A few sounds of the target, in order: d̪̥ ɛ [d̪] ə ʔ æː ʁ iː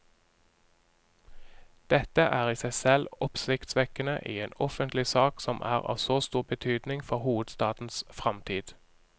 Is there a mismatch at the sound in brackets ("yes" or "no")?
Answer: yes